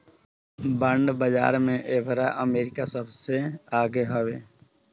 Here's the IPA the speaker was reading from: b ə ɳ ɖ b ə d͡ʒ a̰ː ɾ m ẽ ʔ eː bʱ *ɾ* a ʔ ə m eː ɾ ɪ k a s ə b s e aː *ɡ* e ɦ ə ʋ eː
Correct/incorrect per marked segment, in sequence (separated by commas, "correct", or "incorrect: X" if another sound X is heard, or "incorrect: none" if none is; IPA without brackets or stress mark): correct, correct